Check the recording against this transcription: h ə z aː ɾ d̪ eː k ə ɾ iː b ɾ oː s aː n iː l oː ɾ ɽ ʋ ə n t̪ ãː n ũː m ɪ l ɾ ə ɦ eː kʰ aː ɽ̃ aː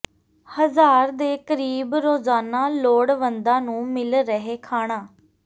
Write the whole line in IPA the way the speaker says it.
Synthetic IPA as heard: h ə z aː ɾ d̪ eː k ə ɾ iː b ɾ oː z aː n aː l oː ɽ ʋ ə n d̪ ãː n ũː m ɪ l ɾ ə ɦ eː kʰ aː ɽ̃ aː